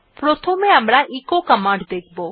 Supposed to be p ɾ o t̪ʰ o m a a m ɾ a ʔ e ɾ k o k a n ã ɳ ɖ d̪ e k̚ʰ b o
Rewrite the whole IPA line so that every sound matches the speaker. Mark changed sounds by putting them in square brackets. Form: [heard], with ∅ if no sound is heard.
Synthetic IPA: p ɾ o t̪ʰ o m [e] a m ɾ a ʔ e [∅] k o k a [m] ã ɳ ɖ d̪ e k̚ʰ b o